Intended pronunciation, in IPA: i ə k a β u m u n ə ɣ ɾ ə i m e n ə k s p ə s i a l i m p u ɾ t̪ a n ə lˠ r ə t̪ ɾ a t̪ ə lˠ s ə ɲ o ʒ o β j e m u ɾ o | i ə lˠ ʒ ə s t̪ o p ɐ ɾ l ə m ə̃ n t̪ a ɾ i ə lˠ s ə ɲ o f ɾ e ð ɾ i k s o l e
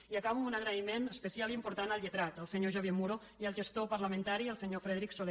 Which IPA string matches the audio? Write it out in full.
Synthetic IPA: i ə k a β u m u n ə ɣ ɾ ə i m e n ə s p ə s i a l i m p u ɾ t̪ a n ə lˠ ʎ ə t̪ ɾ a t̪ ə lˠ s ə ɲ o ʒ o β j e m u ɾ o | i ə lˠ ʒ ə s t̪ o p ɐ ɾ l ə m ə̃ n t̪ a ɾ i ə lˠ s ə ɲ o f ɾ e ð ɾ i k s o l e